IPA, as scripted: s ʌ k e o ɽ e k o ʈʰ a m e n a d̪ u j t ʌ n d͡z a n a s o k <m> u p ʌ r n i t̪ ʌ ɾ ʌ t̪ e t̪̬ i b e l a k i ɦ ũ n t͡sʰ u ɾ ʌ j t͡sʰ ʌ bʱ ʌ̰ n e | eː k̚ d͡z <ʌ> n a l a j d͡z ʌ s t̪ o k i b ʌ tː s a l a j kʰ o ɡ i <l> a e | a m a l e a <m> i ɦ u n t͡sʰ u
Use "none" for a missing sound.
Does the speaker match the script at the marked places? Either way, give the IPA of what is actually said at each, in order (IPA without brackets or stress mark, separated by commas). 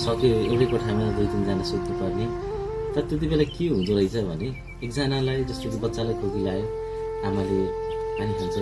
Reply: n, a, l, n